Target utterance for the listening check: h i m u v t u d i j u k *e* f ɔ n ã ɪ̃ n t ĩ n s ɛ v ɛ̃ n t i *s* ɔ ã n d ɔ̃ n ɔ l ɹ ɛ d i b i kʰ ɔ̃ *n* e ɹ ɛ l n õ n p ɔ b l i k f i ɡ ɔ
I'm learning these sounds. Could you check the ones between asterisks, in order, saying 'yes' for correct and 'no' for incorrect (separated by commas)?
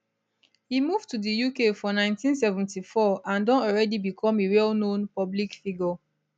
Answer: yes, no, no